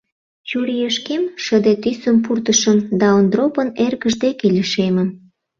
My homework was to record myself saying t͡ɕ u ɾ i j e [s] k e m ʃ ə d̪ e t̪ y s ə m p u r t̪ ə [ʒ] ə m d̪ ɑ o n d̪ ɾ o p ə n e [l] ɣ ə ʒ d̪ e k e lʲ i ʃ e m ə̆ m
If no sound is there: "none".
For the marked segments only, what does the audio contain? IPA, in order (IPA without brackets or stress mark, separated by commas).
ʃ, ʃ, r